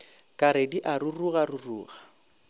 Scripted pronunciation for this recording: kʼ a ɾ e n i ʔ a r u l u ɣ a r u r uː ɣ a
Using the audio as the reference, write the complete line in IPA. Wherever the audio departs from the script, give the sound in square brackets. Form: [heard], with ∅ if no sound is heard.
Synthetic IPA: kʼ a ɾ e [d] i ʔ a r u [r] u ɣ a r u r uː ɣ a